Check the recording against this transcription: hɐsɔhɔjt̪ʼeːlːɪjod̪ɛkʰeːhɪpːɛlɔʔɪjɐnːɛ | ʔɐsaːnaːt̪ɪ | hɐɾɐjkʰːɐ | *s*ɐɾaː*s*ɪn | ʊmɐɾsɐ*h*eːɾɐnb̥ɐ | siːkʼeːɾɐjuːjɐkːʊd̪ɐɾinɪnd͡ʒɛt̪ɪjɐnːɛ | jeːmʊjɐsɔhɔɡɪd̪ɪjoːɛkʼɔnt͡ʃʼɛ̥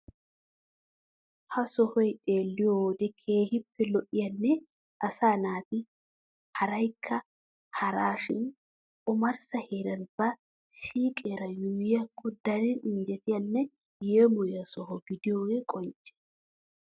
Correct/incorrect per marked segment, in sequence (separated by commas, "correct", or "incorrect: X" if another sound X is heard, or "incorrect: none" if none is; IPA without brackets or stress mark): incorrect: h, incorrect: ʃ, correct